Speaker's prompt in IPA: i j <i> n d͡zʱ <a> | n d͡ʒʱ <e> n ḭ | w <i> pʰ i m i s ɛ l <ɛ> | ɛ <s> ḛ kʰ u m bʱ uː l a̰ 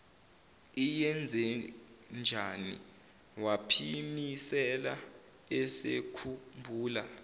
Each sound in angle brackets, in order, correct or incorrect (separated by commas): incorrect, incorrect, incorrect, incorrect, incorrect, correct